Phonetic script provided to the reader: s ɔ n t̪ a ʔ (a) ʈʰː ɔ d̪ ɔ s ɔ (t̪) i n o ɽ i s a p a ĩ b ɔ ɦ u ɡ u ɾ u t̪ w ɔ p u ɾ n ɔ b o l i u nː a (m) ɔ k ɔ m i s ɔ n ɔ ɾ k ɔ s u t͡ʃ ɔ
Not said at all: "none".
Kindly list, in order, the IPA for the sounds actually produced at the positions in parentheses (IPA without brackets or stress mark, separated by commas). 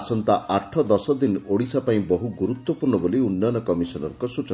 a, d̪, n